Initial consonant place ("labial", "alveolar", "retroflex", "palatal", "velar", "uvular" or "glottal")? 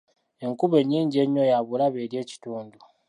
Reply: velar